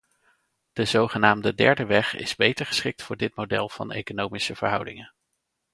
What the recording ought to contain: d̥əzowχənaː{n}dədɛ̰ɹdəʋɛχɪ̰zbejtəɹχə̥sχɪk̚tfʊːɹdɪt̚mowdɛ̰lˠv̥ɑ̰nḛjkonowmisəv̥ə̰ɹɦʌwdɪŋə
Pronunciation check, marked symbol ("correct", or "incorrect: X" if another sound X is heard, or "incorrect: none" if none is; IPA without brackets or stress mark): incorrect: m